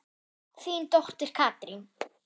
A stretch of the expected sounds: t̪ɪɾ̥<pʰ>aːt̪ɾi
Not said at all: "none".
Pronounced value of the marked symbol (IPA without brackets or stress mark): kʰ